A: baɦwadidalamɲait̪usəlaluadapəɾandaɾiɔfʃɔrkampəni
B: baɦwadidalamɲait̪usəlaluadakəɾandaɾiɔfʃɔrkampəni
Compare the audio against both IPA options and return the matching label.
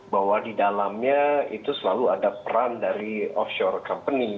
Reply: A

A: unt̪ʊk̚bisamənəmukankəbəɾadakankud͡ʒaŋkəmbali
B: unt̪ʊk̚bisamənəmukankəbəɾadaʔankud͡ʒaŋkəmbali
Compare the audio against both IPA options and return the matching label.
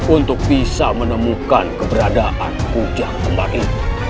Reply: B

